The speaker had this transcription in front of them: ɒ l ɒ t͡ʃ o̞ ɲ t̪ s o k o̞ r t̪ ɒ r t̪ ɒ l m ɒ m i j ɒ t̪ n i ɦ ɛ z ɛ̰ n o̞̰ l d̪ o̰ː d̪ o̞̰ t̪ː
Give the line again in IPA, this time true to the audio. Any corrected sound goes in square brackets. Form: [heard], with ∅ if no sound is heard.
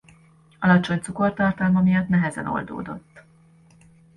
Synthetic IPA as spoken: ɒ l ɒ t͡ʃ o̞ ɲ t̪ s [u] k o̞ r t̪ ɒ r t̪ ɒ l m ɒ m i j ɒ t̪ n [ɛ] ɦ ɛ z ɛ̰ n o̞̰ l d̪ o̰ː d̪ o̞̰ t̪ː